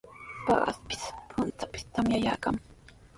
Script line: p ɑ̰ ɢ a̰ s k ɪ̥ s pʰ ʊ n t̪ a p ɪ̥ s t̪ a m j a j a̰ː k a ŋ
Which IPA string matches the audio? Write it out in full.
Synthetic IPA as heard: p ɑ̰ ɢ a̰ s p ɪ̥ s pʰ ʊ n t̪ a p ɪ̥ s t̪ a m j a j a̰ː k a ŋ

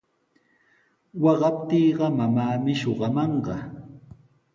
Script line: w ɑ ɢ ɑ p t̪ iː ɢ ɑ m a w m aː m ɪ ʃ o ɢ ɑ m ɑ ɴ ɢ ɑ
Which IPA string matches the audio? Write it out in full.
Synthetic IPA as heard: w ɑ ɢ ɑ p t̪ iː ɢ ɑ m a m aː m ɪ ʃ o ɢ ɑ m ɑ ɴ ɢ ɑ

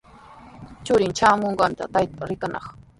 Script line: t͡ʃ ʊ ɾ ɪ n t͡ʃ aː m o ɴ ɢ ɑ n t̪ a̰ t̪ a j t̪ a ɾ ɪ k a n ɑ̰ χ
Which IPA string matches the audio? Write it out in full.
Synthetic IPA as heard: t͡ʃ ʊ ɾ ɪ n t͡ʃ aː m o ɴ ɢ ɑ n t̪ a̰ t̪ a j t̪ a ɾ ɪ k a n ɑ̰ χ

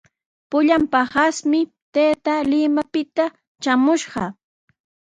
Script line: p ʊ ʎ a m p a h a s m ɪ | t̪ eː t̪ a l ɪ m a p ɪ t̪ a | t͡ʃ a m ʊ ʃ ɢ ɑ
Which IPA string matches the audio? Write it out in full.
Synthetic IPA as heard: p ʊ ʎ a m p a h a s m ɪ | t̪ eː t̪ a l ɪ m a p ɪ t̪ a | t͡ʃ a m ʊ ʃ ɢ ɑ

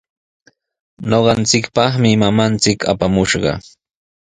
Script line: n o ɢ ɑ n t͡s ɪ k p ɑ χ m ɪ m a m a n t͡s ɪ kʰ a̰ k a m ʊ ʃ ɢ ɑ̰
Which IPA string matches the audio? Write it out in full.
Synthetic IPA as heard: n o ɢ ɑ n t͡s ɪ k p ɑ χ m ɪ m a m a n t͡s ɪ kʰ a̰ p a m ʊ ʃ ɢ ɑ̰

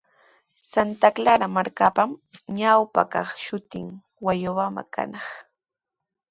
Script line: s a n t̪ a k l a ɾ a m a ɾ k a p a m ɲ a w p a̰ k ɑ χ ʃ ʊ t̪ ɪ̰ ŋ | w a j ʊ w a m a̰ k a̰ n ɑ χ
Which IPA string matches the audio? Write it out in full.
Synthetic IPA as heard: s a n t̪ a k l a ɾ a m a ɾ k a p a m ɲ a w p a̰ k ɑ χ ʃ ʊ t̪ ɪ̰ ŋ | w a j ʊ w a m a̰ k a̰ n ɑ χ

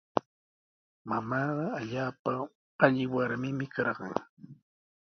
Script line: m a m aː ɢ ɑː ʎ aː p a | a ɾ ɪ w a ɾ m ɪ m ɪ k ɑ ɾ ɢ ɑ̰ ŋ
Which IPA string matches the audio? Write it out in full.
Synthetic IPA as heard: m a m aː ɢ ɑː ʎ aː p a | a ʎ ɪ w a ɾ m ɪ m ɪ k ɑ ɾ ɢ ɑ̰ ŋ

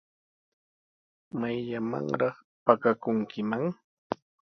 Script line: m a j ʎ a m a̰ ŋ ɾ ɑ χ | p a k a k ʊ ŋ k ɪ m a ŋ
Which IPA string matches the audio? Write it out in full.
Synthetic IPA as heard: m a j ʎ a m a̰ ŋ ɾ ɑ χ | p a k a k ʊ ŋ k ɪ m a ŋ

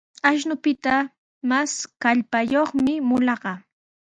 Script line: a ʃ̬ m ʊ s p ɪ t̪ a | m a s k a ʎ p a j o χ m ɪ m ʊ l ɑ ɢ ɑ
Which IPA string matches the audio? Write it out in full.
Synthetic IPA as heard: a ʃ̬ n ʊ p ɪ t̪ a | m a s k a ʎ p a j o χ m ɪ m ʊ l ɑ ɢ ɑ

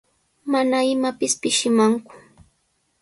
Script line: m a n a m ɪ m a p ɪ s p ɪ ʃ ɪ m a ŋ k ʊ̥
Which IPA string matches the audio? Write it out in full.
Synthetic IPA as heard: m a n a ɪ m a p ɪ s p ɪ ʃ ɪ m a ŋ k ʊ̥

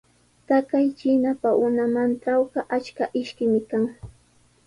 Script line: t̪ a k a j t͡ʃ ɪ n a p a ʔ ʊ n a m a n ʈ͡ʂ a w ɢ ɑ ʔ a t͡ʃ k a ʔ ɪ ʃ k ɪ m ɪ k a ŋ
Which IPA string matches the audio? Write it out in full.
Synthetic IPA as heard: t̪ a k a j t͡ʃ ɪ n a p a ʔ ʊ n a m a n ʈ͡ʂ a w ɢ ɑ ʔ a t͡ʃ k a ʔ ɪ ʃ k ɪ m ɪ k a ŋ

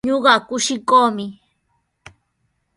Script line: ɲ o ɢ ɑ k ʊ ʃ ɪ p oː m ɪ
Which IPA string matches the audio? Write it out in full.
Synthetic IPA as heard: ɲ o ɢ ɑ k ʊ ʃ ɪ k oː m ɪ

